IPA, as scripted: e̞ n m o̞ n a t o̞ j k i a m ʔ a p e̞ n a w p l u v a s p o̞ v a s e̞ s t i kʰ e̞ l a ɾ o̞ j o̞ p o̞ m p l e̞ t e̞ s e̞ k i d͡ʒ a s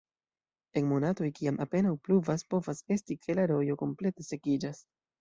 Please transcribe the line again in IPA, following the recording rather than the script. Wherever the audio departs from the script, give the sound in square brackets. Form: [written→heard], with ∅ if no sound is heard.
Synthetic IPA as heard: e̞ n m o̞ n a t o̞ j k i a m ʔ a p e̞ n a w p l u v a s p o̞ v a s e̞ s t i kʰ e̞ l a ɾ o̞ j o̞ [p→k] o̞ m p l e̞ t e̞ s e̞ k i d͡ʒ a s